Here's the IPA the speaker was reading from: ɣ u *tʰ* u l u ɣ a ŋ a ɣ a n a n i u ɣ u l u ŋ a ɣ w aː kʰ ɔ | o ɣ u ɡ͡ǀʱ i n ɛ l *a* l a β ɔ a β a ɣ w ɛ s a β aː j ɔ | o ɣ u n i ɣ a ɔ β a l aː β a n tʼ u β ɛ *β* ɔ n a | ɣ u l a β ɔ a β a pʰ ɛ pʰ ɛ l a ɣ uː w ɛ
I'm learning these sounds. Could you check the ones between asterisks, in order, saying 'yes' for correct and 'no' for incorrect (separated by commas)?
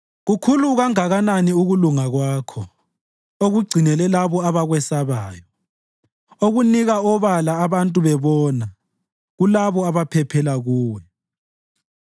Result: no, no, yes